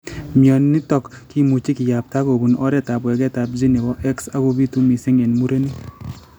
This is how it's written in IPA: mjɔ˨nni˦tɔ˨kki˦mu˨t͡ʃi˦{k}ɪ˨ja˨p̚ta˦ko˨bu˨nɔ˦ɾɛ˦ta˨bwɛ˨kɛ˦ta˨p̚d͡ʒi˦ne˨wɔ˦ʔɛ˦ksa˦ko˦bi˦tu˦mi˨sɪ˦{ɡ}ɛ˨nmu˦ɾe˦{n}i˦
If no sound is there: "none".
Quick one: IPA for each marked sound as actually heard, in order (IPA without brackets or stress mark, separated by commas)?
k, ŋ, n